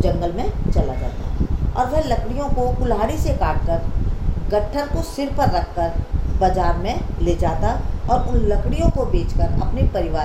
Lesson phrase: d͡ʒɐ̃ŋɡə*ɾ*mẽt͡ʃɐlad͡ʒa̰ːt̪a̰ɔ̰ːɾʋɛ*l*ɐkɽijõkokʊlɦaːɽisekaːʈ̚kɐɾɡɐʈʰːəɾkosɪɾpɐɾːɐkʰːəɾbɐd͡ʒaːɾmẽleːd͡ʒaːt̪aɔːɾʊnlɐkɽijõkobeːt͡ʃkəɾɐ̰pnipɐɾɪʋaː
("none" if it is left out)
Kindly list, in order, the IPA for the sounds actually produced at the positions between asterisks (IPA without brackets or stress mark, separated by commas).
l, l